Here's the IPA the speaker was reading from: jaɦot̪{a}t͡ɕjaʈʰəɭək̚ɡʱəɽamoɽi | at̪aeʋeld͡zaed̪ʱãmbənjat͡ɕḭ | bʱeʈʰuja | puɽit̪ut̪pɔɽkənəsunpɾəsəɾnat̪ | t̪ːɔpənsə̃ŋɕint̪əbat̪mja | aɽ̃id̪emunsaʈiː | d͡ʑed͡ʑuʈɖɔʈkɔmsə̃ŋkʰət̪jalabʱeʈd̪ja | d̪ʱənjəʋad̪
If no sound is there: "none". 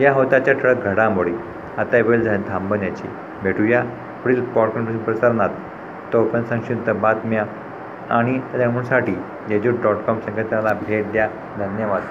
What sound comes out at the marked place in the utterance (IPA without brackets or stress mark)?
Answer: a